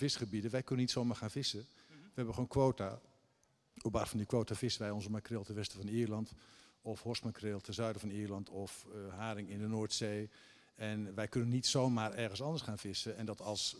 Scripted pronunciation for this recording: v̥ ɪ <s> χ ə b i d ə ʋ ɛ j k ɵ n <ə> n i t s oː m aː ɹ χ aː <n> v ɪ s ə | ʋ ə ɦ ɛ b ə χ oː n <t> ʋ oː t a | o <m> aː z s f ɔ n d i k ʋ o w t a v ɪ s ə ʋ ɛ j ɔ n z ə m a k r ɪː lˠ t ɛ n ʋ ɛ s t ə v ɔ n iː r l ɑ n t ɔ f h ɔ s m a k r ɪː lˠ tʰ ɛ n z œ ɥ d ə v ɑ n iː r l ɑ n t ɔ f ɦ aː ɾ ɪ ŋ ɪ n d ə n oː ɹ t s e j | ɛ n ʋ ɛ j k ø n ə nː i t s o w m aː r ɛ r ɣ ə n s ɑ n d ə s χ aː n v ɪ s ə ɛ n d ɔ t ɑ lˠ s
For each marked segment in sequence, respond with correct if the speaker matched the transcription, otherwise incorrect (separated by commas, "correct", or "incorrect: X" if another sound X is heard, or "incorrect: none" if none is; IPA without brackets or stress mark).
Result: correct, correct, correct, incorrect: k, incorrect: b